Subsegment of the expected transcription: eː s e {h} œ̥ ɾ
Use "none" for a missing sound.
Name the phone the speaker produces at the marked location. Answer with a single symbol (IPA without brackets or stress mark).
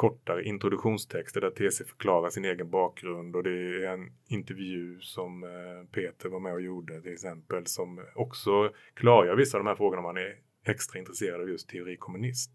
f